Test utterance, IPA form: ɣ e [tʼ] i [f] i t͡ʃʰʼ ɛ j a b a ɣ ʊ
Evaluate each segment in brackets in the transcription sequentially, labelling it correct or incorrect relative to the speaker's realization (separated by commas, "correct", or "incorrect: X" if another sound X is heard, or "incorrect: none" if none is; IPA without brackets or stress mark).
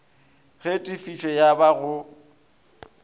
correct, correct